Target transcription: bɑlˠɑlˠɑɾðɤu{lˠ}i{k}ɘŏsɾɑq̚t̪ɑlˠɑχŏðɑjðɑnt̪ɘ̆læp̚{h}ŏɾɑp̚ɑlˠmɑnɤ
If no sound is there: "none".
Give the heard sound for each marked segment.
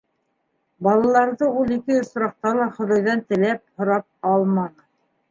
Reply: lˠ, k, h

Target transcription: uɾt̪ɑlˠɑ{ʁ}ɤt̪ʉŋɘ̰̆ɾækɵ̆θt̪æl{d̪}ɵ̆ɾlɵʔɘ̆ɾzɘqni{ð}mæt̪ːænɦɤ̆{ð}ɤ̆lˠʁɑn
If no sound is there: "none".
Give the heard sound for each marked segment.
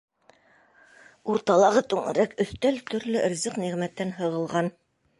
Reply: ʁ, t̪, ʁ, ʁ

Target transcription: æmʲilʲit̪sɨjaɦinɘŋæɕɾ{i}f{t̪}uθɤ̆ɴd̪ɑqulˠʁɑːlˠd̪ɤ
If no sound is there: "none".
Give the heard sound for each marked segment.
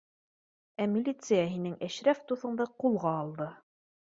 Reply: æ, t̪

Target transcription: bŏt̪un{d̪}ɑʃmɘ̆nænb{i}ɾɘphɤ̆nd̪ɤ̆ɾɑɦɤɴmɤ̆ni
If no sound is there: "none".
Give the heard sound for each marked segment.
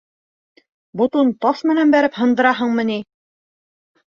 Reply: t̪, æ

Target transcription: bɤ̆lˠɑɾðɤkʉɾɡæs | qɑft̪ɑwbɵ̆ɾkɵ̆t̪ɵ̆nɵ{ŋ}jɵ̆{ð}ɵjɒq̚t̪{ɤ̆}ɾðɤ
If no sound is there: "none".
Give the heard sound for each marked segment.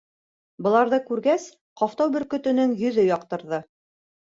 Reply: ŋ, ð, ɤ̆

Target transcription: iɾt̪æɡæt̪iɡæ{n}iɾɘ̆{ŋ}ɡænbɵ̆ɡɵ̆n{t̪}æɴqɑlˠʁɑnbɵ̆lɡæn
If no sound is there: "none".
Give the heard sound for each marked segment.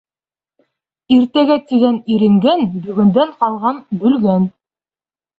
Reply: n, ŋ, d̪

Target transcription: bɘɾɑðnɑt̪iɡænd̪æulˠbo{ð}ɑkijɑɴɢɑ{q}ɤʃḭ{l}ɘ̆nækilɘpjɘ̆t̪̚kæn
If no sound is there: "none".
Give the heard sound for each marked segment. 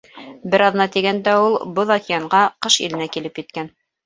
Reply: ð, q, l

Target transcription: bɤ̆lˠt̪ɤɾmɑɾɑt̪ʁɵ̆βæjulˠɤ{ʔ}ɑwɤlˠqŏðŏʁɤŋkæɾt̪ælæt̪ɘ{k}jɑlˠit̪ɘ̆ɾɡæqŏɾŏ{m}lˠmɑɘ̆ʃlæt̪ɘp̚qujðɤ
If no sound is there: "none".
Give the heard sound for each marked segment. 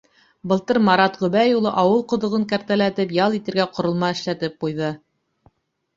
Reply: ʔ, p, none

